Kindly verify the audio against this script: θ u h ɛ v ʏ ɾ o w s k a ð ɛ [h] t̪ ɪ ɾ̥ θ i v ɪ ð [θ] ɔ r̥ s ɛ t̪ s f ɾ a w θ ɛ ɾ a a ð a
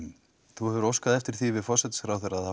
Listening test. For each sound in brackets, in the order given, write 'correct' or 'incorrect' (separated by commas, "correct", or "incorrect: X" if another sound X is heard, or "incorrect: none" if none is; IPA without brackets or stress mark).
incorrect: f, incorrect: f